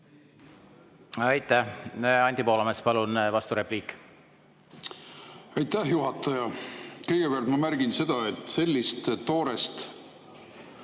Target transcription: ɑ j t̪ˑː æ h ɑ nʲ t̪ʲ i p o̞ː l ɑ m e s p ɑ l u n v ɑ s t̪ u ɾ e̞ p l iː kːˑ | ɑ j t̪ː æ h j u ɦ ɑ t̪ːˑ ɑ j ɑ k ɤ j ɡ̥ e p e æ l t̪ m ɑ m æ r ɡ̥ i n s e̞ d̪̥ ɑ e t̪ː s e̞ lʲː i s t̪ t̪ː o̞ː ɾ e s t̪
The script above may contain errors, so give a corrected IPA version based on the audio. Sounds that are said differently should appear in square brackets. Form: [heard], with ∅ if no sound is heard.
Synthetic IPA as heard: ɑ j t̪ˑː æ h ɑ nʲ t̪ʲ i p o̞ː l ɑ m e s p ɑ l u n v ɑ s t̪ u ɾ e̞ p l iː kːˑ | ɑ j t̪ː æ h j u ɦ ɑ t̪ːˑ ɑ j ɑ k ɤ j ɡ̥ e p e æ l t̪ m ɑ m æ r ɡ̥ i n s e̞ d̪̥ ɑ e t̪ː s e̞ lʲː i s t̪ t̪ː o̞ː ɾ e s t̪